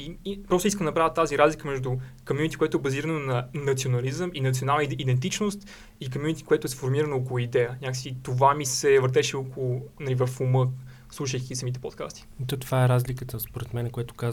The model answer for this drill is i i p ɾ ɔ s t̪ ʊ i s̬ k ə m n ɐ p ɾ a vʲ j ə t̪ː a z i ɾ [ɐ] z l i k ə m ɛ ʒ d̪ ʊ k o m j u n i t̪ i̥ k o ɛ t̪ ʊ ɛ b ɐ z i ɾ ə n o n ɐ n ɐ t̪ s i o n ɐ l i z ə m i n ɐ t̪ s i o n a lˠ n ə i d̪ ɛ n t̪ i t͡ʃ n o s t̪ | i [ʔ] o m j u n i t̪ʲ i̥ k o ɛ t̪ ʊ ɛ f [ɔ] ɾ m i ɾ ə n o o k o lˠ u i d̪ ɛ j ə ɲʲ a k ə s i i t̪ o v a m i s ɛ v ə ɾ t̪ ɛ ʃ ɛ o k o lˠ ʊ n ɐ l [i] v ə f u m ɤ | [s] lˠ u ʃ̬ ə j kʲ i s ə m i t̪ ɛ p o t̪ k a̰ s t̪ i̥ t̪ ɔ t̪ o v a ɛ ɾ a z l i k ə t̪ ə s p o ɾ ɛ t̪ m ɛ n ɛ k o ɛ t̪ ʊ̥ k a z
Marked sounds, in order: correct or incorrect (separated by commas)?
incorrect, incorrect, incorrect, correct, correct